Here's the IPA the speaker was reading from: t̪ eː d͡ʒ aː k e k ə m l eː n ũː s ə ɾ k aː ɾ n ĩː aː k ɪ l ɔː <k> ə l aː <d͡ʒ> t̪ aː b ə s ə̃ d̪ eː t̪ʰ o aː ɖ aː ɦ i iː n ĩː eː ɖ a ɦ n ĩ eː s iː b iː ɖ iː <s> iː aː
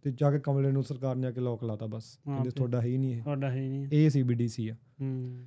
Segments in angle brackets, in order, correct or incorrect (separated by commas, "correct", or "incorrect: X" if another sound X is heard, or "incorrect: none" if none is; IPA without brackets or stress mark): correct, incorrect: none, correct